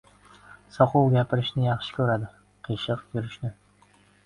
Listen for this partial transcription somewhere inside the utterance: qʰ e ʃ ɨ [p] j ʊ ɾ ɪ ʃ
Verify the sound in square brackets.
incorrect: q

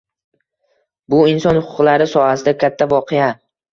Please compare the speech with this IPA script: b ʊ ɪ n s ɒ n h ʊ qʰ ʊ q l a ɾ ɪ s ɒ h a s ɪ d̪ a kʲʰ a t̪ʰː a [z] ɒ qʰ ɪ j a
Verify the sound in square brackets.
incorrect: v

